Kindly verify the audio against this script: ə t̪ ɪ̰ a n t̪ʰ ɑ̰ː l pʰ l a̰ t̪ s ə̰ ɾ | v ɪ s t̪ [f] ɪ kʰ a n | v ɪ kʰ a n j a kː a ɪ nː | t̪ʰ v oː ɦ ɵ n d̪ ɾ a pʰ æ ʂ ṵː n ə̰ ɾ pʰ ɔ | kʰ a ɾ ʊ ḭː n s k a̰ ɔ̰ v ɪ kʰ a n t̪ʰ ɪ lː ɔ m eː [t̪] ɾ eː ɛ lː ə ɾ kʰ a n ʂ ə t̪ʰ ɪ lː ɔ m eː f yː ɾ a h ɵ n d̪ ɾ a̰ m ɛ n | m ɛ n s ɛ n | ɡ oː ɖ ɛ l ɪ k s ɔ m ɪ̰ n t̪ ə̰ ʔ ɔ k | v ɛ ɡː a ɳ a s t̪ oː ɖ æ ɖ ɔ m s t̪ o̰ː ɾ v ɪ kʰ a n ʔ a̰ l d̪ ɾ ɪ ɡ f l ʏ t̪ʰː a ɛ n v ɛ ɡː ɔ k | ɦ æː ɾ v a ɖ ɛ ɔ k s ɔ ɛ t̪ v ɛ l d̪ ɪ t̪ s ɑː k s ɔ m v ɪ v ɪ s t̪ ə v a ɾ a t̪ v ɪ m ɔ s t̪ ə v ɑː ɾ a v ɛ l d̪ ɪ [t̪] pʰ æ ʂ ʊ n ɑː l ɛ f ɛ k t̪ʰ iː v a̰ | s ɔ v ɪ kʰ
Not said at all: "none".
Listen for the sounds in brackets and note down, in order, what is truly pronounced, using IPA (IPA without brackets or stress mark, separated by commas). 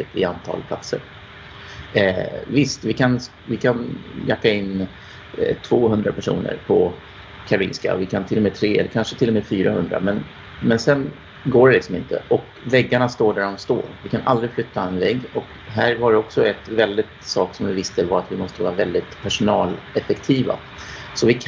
v, t̪ʰ, t̪